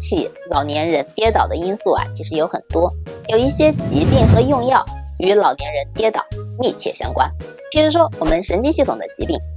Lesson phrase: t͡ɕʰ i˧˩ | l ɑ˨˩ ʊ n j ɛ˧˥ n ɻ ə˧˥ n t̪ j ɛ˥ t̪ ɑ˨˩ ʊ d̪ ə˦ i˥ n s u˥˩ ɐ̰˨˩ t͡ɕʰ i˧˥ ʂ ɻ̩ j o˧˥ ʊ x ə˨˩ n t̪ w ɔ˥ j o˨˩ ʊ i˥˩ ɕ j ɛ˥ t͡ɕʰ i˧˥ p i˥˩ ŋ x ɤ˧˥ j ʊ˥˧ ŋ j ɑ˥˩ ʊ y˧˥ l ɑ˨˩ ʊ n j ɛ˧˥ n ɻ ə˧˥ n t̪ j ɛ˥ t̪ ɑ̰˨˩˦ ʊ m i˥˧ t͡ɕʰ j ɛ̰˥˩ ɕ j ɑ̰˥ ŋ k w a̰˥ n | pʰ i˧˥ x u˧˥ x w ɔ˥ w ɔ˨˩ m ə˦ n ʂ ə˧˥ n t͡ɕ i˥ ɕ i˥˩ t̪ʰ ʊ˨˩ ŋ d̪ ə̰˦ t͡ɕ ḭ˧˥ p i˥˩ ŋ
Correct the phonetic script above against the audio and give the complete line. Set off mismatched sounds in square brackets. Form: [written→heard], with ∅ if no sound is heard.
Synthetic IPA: t͡ɕʰ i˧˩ | l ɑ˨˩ ʊ n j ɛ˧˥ n ɻ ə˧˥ n t̪ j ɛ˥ t̪ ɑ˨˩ ʊ d̪ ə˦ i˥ n s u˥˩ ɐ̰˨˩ t͡ɕʰ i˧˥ ʂ ɻ̩ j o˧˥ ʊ x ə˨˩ n t̪ w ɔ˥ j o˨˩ ʊ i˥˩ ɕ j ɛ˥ [t͡ɕʰ→t͡ɕ] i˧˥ p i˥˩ ŋ x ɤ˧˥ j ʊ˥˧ ŋ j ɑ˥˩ ʊ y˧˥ l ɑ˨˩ ʊ n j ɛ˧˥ n ɻ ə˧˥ n t̪ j ɛ˥ t̪ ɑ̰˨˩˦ ʊ m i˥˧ t͡ɕʰ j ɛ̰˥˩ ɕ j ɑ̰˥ ŋ k w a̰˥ n | pʰ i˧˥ [x→ʂ] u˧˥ [x→ʂ] w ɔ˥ w ɔ˨˩ m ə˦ n ʂ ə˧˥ n t͡ɕ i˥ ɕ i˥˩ t̪ʰ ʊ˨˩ ŋ d̪ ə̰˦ t͡ɕ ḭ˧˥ p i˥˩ ŋ